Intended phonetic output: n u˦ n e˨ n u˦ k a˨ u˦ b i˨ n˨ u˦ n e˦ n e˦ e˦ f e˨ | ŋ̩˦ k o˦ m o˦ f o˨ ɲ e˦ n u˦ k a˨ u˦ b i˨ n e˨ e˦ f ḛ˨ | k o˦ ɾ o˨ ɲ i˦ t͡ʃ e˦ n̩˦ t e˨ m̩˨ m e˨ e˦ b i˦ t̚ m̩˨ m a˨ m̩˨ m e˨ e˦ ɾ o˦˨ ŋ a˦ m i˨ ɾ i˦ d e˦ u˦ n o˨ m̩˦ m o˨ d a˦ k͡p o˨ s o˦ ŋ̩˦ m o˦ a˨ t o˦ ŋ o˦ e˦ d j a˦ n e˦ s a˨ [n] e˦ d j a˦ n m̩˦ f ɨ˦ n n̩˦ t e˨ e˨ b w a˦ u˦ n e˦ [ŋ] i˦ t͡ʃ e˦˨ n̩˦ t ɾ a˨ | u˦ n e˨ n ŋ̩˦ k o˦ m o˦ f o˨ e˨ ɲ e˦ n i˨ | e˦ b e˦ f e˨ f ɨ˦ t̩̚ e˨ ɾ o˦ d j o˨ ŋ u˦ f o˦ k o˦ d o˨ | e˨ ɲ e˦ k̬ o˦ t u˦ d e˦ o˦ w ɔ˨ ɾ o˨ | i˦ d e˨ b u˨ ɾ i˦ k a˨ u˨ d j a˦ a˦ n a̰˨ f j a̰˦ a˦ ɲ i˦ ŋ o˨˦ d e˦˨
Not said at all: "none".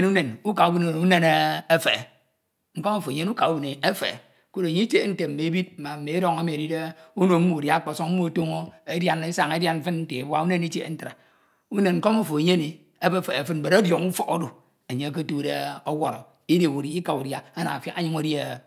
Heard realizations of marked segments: ŋ, n

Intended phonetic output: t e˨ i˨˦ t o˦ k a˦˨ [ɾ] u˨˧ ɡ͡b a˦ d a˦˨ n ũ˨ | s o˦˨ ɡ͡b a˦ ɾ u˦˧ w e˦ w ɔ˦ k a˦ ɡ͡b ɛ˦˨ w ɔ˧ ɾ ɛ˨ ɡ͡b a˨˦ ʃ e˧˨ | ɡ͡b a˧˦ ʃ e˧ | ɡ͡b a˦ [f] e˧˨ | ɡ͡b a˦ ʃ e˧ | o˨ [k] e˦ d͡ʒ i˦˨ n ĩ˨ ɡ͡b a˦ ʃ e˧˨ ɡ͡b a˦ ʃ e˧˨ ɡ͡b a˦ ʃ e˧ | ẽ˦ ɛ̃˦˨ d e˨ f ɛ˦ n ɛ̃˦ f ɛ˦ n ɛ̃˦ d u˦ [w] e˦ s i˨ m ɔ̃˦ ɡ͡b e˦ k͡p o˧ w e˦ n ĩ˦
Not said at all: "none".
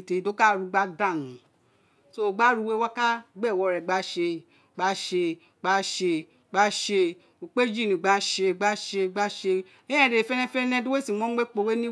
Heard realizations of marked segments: ɾ, ʃ, k͡p, w

